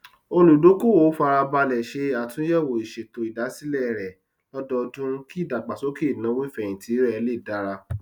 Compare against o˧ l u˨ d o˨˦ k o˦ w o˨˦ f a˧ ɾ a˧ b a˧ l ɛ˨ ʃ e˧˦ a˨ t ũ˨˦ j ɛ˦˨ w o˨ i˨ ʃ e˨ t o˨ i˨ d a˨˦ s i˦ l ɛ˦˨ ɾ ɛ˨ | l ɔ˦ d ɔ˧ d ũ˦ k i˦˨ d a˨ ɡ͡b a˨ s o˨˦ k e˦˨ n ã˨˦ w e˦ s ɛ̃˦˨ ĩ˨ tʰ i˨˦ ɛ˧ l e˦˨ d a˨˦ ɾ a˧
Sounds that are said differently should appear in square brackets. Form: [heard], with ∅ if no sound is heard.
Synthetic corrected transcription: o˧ l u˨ d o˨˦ k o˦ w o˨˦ f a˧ ɾ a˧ b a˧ l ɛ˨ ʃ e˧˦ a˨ t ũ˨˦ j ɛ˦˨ w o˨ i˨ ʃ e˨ t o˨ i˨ d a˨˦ s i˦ l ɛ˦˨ ɾ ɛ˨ | l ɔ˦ d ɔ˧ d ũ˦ k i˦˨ d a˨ ɡ͡b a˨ s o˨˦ k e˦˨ n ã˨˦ w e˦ [f] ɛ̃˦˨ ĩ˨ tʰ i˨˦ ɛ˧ l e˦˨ d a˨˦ ɾ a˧